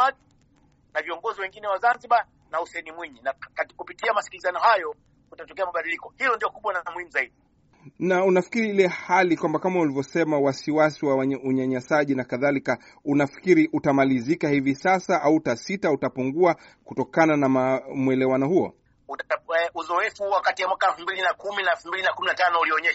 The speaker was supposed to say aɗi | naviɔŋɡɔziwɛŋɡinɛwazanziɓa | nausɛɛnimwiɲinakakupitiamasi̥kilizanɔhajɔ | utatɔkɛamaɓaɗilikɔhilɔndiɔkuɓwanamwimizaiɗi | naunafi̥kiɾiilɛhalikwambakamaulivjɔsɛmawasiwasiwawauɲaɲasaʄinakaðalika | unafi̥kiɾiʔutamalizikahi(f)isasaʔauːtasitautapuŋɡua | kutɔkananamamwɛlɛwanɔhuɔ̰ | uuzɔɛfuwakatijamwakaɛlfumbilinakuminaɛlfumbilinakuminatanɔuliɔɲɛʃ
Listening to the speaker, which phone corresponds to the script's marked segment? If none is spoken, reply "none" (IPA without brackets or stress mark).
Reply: v